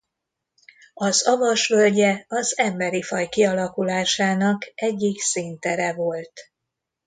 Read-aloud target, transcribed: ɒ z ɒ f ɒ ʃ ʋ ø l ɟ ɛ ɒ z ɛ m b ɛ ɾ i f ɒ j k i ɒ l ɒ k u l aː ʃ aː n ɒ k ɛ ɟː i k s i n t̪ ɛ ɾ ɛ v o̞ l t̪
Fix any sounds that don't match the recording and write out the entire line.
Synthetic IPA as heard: ɒ z ɒ v ɒ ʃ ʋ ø l ɟ ɛ ɒ z ɛ m b ɛ ɾ i f ɒ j k i ɒ l ɒ k u l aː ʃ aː n ɒ k ɛ ɟː i k s i n t̪ ɛ ɾ ɛ v o̞ l t̪